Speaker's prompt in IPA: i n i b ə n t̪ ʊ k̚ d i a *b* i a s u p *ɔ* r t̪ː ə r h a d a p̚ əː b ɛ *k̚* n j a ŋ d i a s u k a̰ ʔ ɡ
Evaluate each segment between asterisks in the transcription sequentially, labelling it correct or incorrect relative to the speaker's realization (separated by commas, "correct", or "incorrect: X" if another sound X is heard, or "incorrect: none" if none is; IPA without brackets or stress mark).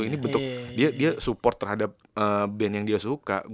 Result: incorrect: d, correct, incorrect: none